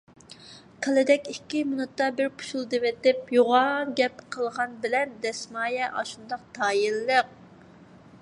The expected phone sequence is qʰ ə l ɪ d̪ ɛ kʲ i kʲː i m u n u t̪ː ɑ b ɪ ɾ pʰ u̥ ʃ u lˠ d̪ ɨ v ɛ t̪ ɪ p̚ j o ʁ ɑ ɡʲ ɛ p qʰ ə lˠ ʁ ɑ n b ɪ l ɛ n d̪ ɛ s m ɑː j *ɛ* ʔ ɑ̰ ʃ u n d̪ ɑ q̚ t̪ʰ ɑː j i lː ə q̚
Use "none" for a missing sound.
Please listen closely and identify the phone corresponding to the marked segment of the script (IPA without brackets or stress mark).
ɛ